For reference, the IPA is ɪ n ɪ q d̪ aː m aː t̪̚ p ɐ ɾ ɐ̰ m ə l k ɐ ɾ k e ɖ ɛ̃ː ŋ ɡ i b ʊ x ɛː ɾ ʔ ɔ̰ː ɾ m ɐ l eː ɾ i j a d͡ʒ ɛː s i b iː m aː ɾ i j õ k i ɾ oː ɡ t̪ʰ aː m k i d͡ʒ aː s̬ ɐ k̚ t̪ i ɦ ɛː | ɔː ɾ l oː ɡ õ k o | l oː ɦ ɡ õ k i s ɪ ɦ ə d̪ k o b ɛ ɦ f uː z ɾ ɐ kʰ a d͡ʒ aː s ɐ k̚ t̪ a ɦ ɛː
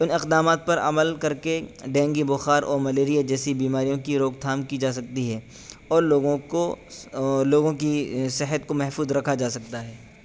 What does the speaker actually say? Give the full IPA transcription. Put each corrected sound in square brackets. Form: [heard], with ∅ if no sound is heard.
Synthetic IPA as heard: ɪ n ɪ q d̪ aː m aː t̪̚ p ɐ ɾ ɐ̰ m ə l k ɐ ɾ k e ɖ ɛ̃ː ŋ ɡ i b ʊ x [aː] ɾ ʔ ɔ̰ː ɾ m ɐ l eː ɾ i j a d͡ʒ ɛː s i b iː m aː ɾ i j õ k i ɾ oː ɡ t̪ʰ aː m k i d͡ʒ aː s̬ ɐ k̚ t̪ i ɦ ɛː | ɔː ɾ l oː ɡ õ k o | l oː [∅] ɡ õ k i s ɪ ɦ ə [t̪] k o [m] ɛ ɦ f uː z ɾ ɐ kʰ a d͡ʒ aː s ɐ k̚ t̪ a ɦ ɛː